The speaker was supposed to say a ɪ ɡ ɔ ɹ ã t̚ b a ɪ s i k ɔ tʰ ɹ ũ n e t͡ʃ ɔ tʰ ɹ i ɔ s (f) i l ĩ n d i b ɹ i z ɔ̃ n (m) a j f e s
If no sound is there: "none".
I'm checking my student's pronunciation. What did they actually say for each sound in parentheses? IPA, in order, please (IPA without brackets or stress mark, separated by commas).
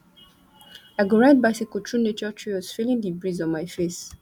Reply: f, m